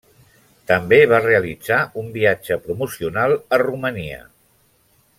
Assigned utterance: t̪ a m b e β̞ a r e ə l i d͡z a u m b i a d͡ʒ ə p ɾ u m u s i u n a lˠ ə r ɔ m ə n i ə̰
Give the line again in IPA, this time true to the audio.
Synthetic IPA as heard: t̪ ə m b e β̞ a r e ə l i d͡z a u m b i a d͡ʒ ə p ɾ u m u s i u n a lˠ ə r u m ə n i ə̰

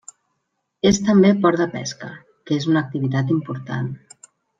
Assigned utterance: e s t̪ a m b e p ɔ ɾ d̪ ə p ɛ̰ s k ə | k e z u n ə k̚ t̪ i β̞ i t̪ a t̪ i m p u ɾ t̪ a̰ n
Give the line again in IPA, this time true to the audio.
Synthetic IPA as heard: e s t̪ ə m b e p ɔ ɾ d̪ ə p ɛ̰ s k ə | k e z u n ə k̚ t̪ i β̞ i t̪ a t̪ i m p u ɾ t̪ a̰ n

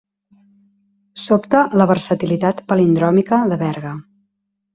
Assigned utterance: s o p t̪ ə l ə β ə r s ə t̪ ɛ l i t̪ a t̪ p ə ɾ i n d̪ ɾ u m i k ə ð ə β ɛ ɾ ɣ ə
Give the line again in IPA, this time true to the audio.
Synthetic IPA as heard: s o p t̪ ə l ə β ə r s ə t̪ i l i t̪ a t̪ p ə l i n d̪ ɾ ɔ m i k ə ð ə β ɛ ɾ ɣ ə

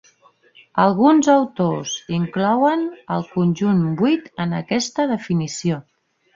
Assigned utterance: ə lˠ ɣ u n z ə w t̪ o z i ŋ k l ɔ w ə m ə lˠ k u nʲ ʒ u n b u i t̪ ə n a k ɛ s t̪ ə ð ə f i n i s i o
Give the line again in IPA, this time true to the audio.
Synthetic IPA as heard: ə lˠ ɣ u n z ə w t̪ o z i ŋ k l ɔ w ə n ə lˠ k u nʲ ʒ u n b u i t̪ ə n ə k ɛ s t̪ ə ð ə f i n i s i o

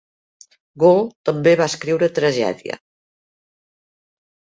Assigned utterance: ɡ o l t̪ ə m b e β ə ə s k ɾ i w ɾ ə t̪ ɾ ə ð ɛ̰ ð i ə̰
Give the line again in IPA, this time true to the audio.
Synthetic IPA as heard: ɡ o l t̪ ə m b e β a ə s k ɾ i w ɾ ə t̪ ɾ ə ʒ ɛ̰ ð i ə̰

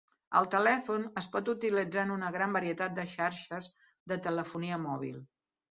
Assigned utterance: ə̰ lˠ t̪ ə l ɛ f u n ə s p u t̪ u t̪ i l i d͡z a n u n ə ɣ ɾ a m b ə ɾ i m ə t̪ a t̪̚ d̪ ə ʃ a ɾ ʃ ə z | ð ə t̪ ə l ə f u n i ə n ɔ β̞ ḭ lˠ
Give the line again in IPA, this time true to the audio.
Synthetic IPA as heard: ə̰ lˠ t̪ ə l ɛ f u n ə s p ɔ t̪ u t̪ i l i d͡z a n u n ə ɣ ɾ a m b ə ɾ i ə t̪ a t̪̚ d̪ ə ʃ a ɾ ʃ ə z | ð ə t̪ ə l ə f u n i ə m ɔ β̞ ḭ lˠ

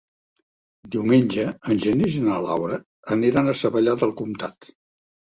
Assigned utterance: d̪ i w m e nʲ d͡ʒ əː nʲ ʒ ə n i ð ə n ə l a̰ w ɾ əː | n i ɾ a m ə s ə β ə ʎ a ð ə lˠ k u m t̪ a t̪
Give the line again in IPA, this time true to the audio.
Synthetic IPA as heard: d̪ i w m e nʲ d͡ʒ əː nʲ ʒ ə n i z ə n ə l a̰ w ɾ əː | n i ɾ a n ə s ə β ə ʎ a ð ə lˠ k u m t̪ a t̪

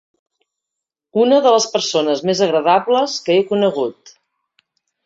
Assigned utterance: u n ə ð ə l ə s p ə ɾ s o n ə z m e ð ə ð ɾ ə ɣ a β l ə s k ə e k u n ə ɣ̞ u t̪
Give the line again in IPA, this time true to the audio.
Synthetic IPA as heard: u n ə ð ə l ə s p ə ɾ s o n ə z m e z ə ɣ ɾ ə ð a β l ə s k ə e k u n ə ɣ̞ u t̪

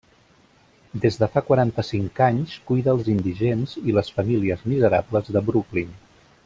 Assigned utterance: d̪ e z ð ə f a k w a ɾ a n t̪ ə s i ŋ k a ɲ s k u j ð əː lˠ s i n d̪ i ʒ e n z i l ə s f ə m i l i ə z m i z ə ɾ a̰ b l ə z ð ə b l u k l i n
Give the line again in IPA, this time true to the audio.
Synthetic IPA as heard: d̪ e z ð ə f a k w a ɾ a n t̪ ə s i ŋ k a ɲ s k u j ð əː lˠ z i n d̪ i ʒ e n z i l ə s f ə m i l i ə z m i z ə ɾ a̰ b l ə z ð ə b ɾ u k l i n

